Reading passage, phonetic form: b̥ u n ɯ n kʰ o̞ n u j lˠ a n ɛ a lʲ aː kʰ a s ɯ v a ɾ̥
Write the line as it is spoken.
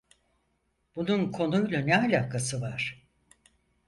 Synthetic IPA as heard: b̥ u n u n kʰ o̞ n u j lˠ a n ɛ a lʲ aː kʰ a s ɯ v a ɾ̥